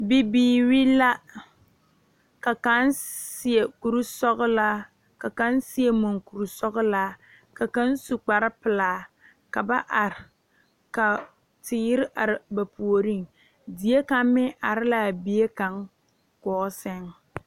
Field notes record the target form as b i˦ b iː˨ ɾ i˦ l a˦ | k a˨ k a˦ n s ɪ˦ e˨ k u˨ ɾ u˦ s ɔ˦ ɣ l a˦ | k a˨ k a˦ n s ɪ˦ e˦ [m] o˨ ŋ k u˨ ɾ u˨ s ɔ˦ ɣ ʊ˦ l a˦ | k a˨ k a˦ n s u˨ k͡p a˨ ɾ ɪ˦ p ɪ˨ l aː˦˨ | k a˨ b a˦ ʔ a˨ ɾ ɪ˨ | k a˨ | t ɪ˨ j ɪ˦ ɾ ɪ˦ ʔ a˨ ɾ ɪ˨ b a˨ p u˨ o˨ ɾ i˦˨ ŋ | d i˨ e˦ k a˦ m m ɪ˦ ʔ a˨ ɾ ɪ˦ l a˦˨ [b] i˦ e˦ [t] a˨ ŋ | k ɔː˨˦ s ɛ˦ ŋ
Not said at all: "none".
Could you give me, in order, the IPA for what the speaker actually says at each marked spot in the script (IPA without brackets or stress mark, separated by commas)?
m, b, k